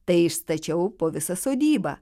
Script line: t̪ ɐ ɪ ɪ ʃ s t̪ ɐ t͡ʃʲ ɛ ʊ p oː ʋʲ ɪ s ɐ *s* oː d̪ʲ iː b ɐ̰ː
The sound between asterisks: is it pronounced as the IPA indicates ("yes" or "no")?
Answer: yes